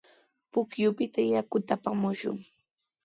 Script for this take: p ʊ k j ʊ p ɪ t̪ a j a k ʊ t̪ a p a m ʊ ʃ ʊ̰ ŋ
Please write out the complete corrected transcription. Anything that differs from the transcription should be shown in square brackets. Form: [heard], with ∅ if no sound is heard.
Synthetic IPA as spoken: p ʊ k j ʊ p ɪ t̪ a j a k ʊ t̪ a p a m ʊ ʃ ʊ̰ ŋ